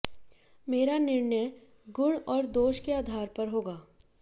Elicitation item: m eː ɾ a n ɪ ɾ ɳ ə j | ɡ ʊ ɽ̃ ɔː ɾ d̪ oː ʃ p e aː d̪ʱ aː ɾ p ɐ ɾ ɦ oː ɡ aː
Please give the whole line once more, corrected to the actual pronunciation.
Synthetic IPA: m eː ɾ a n ɪ ɾ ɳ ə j | ɡ ʊ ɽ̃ ɔː ɾ d̪ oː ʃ k e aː d̪ʱ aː ɾ p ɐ ɾ ɦ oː ɡ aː